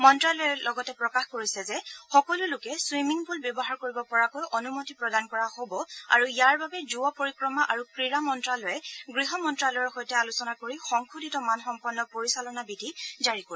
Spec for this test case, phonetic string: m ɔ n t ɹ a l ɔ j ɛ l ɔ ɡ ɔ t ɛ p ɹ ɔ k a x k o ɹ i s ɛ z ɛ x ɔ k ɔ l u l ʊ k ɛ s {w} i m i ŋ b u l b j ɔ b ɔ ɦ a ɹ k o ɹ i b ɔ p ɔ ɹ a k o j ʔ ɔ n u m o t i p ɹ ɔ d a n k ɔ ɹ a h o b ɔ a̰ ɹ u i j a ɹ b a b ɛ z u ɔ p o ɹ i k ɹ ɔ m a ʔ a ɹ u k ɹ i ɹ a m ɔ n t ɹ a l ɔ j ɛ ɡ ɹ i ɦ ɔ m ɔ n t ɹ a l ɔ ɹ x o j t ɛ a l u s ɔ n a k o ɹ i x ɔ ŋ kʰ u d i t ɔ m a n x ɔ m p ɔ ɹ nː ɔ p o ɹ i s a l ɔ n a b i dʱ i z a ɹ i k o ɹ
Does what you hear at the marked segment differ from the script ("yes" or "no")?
no